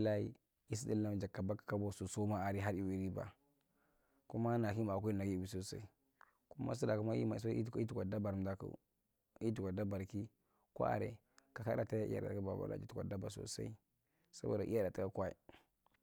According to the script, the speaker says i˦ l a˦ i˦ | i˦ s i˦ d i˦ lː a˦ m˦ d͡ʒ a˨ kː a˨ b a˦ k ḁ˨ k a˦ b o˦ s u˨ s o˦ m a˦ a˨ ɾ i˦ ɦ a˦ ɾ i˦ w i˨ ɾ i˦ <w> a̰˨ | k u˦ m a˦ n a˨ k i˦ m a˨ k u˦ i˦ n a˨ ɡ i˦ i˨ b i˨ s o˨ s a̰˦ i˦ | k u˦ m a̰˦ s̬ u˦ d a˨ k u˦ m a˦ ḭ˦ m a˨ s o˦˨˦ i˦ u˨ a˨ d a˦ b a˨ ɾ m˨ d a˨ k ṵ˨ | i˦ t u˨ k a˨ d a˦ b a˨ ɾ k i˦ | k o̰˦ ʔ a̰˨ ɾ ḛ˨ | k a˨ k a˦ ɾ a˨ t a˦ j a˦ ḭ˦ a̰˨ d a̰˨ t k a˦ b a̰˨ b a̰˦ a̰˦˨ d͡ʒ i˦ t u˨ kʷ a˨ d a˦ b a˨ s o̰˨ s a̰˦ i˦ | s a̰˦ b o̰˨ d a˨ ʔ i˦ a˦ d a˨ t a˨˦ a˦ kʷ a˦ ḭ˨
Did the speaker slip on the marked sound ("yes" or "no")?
yes